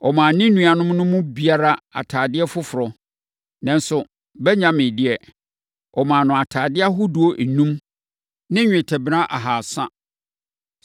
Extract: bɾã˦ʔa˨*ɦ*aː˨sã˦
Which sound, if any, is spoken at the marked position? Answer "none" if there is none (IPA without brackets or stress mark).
ɦ